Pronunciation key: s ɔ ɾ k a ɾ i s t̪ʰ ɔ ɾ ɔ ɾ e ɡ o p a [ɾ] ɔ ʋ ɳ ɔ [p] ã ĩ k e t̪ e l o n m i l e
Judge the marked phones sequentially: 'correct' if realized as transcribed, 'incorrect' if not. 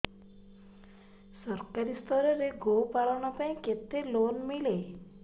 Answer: incorrect, correct

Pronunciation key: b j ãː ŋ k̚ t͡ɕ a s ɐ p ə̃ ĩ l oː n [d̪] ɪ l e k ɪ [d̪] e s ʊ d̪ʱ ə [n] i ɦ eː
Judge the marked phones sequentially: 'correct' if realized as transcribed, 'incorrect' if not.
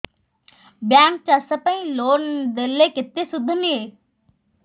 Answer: correct, incorrect, correct

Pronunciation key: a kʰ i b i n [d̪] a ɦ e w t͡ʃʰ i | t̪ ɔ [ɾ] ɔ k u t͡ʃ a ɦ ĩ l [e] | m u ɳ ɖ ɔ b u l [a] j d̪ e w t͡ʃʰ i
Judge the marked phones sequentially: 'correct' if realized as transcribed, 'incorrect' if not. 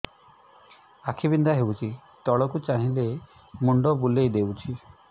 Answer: correct, incorrect, correct, incorrect

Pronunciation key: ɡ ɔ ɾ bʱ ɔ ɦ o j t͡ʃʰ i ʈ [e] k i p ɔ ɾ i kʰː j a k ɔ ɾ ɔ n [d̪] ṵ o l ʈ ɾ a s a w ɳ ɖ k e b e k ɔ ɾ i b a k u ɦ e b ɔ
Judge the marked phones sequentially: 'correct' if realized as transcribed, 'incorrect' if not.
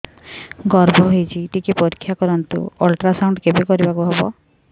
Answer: incorrect, incorrect

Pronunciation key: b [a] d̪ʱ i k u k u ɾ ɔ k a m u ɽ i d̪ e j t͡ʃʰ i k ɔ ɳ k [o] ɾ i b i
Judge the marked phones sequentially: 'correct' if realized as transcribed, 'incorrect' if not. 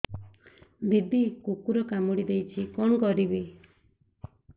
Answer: incorrect, incorrect

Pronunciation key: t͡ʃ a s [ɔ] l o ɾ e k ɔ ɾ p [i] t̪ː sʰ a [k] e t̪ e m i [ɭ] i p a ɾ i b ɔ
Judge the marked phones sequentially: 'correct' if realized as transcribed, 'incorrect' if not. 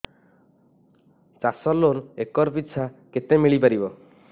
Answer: correct, correct, correct, correct

